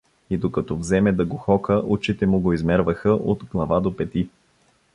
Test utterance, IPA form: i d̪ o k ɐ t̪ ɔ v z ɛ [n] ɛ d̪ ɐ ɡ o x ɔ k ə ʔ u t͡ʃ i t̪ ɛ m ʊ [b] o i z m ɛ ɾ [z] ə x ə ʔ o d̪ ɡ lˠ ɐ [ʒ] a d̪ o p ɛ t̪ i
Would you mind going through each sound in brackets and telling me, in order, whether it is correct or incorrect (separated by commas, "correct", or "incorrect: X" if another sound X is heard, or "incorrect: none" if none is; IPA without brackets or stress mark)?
incorrect: m, incorrect: ɡ, incorrect: v, incorrect: v